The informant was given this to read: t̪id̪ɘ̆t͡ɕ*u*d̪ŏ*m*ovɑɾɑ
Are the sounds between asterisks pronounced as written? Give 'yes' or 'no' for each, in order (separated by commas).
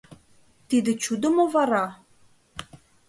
yes, yes